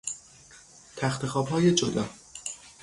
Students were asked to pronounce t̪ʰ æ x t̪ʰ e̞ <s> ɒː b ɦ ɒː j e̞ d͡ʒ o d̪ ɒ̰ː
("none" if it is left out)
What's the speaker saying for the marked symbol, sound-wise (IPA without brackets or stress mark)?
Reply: x